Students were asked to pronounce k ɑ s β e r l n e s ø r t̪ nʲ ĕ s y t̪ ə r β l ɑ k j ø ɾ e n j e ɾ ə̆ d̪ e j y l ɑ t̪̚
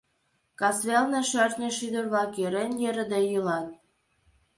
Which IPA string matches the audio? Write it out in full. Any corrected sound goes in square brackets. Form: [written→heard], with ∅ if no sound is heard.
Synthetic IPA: k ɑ s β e [r→∅] l n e [s→ʃ] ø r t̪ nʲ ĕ [s→ʃ] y [t̪→d̪] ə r β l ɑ k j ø ɾ e n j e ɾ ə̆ d̪ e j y l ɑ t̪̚